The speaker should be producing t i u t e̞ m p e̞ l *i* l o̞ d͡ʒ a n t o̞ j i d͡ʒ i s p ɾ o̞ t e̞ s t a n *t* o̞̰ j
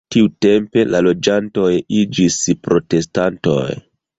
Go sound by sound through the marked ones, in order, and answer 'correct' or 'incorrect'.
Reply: incorrect: a, correct

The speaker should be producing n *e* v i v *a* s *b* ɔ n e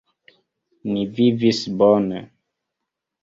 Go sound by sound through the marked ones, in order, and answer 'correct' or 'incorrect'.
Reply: incorrect: i, incorrect: i, correct

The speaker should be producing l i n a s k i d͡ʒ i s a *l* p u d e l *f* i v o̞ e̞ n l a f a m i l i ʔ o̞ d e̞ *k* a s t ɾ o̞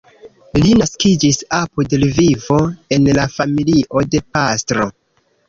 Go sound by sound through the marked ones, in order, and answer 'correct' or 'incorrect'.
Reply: incorrect: none, incorrect: v, incorrect: p

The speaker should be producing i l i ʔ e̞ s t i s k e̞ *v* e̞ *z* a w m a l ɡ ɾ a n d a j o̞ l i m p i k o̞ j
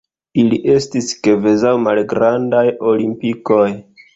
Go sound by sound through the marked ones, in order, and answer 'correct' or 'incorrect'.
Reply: correct, correct

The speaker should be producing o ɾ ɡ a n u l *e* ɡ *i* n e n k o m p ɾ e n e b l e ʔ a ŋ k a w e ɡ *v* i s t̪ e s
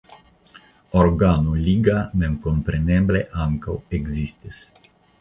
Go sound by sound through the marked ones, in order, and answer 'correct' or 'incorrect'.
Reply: incorrect: i, incorrect: a, incorrect: z

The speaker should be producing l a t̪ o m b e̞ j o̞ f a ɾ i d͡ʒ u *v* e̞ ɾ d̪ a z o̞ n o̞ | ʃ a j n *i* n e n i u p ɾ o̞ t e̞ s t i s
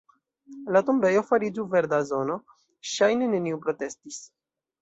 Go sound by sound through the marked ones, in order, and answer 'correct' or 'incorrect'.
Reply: correct, incorrect: e

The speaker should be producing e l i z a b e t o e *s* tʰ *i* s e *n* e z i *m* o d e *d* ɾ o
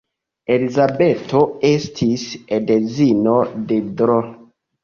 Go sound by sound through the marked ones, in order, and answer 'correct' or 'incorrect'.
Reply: correct, correct, incorrect: d, incorrect: n, correct

